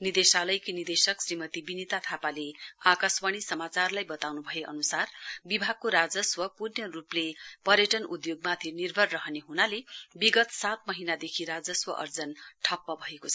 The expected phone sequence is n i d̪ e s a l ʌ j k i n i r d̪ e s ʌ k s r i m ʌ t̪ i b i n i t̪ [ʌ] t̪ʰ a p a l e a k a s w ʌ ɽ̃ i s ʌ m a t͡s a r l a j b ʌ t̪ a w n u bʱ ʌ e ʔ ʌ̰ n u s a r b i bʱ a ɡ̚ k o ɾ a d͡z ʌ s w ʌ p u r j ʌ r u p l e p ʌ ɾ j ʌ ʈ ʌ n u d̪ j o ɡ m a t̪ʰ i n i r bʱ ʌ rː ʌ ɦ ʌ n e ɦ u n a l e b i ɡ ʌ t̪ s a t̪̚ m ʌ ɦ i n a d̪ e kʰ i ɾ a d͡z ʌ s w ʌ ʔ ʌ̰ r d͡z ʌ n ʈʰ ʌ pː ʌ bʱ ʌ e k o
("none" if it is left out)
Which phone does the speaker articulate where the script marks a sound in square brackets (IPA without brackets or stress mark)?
a